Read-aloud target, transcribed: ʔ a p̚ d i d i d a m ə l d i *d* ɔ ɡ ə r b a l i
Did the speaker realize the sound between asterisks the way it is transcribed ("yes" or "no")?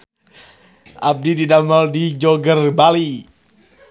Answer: no